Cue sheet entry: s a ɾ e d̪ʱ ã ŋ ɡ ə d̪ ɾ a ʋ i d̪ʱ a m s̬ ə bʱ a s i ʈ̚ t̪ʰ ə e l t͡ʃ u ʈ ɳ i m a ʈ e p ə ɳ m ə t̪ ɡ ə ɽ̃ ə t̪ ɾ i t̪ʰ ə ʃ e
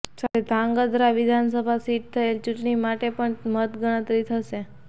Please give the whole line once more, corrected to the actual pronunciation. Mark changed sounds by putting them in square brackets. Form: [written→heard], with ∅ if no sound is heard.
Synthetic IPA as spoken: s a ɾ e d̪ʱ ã ŋ ɡ ə d̪ ɾ a ʋ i d̪ʱ a [m→n] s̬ ə bʱ a s i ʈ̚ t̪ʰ ə e l t͡ʃ u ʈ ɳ i m a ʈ e p ə ɳ m ə t̪ ɡ ə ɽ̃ ə t̪ ɾ i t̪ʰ ə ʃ e